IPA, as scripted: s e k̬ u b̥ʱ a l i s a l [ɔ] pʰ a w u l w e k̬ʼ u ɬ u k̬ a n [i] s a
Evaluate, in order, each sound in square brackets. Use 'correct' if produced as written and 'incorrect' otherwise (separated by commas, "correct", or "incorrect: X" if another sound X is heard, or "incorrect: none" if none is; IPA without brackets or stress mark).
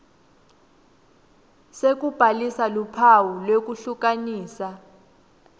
incorrect: u, incorrect: iː